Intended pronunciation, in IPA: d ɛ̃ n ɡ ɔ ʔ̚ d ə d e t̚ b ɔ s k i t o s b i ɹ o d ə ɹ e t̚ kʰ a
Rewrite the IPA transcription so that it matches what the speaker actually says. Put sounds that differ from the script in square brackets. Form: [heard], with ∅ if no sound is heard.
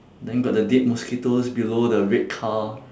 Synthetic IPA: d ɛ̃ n ɡ ɔ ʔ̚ d ə d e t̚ [m] ɔ s k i t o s b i [l] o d ə ɹ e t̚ kʰ a